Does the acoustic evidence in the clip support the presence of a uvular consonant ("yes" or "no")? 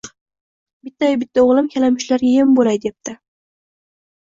yes